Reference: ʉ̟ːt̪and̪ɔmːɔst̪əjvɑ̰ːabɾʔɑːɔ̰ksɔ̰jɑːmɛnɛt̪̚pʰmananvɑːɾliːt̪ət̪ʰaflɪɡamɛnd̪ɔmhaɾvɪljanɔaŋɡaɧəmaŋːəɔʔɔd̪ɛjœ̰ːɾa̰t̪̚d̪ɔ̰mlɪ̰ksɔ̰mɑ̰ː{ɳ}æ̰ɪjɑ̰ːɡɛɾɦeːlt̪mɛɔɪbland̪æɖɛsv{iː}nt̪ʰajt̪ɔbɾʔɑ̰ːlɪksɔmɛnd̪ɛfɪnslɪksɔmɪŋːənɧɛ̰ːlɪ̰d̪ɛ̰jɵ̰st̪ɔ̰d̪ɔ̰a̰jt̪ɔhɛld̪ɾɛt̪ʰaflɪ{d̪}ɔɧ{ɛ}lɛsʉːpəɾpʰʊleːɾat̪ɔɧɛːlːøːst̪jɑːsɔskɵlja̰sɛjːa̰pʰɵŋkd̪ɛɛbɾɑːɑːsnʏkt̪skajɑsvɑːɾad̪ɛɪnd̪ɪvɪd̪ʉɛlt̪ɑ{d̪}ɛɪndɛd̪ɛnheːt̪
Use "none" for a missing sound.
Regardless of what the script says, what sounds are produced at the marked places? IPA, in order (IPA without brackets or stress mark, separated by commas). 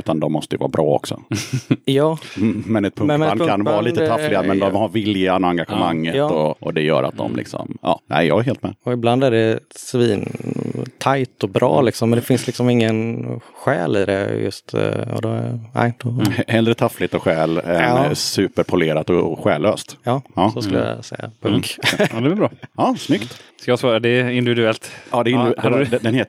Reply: n, iː, t̪, ɛː, d̪